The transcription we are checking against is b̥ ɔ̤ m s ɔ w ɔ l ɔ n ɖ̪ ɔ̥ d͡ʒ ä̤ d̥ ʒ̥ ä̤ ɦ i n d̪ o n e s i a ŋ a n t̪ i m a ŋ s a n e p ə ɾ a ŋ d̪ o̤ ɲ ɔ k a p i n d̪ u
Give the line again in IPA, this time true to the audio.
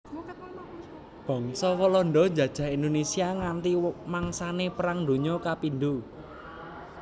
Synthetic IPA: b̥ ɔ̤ ŋ s ɔ w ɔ l ɔ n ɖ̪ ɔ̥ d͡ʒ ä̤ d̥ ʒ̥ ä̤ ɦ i n d̪ o n e s i a ŋ a n t̪ i m a ŋ s a n e p ə ɾ a ŋ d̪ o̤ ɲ ɔ k a p i n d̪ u